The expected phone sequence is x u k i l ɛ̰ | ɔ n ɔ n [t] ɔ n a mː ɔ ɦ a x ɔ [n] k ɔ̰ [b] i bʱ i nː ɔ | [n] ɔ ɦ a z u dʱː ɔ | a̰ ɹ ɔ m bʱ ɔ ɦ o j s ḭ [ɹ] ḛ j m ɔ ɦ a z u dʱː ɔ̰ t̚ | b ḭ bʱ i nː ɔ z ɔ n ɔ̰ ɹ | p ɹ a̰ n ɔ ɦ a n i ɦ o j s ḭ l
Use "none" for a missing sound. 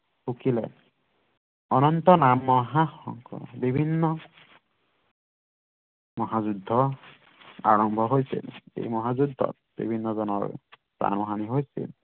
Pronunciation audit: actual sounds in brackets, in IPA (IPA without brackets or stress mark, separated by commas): t, ŋ, b, m, l